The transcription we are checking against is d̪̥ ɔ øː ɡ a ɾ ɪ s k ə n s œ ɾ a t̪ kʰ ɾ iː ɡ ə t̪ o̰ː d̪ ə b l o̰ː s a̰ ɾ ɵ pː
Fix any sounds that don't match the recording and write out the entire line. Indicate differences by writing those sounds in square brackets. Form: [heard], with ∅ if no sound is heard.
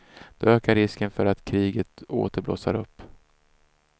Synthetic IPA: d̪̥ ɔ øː [k] a ɾ ɪ s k ə n [f] œ ɾ a t̪ kʰ ɾ iː ɡ ə t̪ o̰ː [t̪] ə b l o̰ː s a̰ ɾ ɵ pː